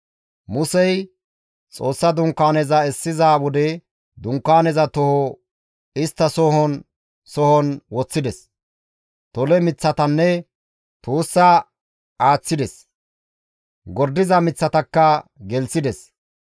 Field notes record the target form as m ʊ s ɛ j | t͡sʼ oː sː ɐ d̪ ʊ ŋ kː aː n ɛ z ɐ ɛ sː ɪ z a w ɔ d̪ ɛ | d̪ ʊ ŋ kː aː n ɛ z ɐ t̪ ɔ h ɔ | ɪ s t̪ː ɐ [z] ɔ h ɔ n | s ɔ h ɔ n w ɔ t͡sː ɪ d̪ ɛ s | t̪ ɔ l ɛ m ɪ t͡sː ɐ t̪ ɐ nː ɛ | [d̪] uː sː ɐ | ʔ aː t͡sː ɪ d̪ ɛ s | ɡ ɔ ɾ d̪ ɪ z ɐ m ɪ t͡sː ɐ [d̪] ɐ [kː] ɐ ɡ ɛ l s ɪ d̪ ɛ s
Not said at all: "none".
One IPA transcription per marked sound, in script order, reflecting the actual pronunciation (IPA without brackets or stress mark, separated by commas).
s, t̪, t̪, kː